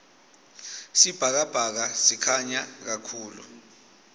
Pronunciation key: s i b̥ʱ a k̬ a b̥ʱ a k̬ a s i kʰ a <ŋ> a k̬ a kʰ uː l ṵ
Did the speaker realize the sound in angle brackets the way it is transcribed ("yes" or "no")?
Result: no